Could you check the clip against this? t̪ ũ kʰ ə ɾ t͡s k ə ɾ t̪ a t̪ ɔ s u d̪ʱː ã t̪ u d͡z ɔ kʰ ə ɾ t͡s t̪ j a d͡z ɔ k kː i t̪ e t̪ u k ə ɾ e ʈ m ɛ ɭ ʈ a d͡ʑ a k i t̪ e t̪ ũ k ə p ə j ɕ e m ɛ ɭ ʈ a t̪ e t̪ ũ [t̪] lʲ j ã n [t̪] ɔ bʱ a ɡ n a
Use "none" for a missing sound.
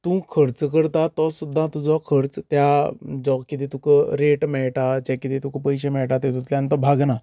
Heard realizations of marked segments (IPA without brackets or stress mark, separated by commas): t̪, t̪